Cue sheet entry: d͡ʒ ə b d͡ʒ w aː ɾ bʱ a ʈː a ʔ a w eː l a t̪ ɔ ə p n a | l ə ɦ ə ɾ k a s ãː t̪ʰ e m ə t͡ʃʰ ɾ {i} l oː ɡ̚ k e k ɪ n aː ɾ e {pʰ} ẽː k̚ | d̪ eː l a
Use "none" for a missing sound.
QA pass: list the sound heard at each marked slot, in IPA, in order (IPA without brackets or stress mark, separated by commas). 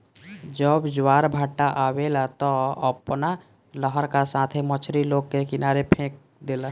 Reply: i, pʰ